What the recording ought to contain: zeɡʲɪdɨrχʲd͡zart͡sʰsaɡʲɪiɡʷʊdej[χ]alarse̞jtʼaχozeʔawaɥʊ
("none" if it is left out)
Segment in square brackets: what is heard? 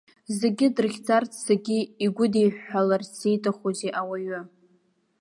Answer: ħ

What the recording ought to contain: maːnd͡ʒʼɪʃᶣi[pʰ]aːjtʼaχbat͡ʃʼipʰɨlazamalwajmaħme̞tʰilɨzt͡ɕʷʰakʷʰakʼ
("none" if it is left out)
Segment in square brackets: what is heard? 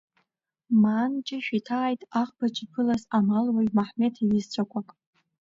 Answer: tʰ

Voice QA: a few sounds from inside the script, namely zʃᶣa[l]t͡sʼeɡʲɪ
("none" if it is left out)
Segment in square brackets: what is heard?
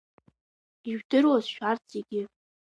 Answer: r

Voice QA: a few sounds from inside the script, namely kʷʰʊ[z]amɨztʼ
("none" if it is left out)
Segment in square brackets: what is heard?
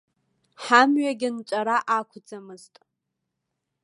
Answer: d͡z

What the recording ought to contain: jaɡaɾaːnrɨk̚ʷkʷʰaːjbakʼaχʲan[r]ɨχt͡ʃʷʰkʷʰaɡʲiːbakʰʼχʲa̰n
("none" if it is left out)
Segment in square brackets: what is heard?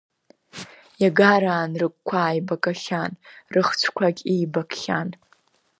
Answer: r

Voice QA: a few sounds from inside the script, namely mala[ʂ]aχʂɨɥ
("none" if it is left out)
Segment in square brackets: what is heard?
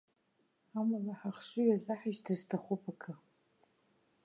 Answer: ħ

